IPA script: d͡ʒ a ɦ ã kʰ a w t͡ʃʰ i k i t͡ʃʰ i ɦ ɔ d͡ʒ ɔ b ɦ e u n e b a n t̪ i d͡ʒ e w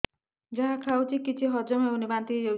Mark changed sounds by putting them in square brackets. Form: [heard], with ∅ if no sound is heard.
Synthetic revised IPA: d͡ʒ a ɦ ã kʰ a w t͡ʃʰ i k i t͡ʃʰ i ɦ ɔ d͡ʒ ɔ [m] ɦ e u n [i] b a n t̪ i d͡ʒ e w